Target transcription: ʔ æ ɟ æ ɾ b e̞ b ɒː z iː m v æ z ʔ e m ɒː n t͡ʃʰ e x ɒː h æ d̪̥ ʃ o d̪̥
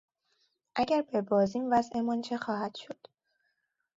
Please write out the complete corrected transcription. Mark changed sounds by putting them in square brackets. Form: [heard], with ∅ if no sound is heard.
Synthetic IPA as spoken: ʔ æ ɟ æ ɾ b e̞ b ɒː z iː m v æ z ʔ e m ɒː n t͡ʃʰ e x ɒː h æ d̪̥ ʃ o d̪̥